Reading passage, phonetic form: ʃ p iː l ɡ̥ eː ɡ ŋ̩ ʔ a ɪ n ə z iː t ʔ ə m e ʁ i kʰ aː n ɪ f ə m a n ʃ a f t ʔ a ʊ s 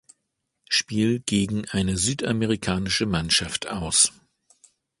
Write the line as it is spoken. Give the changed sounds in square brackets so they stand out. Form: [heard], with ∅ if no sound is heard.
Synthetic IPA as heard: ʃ p iː l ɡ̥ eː ɡ ŋ̩ ʔ a ɪ n ə z [yː] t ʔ [a] m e ʁ i kʰ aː n ɪ [ʃ] ə m a n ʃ a f t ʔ a ʊ s